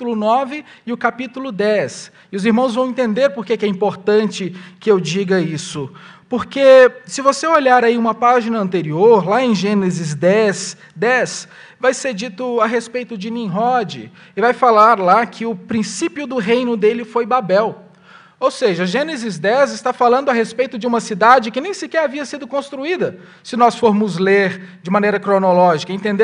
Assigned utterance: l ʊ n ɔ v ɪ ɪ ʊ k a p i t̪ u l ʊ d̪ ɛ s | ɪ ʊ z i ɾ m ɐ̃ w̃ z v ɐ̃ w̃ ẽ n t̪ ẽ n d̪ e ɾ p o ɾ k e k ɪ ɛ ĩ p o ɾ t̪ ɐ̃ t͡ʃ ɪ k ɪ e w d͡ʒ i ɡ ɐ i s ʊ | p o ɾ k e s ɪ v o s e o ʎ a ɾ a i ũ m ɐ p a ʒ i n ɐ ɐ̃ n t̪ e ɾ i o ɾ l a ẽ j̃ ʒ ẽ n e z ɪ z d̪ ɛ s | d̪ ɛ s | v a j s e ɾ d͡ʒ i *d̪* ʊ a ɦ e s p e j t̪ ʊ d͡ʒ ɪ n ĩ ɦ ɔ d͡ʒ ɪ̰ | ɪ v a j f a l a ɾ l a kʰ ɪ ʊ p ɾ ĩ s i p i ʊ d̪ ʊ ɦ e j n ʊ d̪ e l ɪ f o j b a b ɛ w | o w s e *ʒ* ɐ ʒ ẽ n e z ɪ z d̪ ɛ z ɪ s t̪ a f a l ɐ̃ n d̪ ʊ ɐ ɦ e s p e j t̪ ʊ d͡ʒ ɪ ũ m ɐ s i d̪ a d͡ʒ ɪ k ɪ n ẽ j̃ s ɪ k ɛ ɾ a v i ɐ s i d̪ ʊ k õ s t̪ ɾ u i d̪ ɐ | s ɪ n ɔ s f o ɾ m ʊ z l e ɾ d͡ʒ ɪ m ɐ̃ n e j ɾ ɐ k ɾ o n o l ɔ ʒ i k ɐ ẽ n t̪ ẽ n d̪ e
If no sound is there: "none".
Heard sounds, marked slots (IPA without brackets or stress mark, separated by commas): t̪, ʒ